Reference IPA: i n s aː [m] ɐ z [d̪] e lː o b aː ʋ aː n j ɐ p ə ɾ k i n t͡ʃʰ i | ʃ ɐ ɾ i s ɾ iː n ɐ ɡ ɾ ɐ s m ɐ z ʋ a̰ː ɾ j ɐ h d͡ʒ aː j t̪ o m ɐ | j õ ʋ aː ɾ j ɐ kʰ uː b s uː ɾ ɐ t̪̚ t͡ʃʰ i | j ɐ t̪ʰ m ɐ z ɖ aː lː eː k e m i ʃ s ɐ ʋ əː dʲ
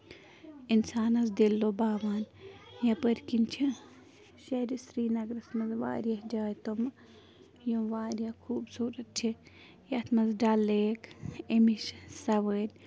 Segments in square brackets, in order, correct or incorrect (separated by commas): incorrect, correct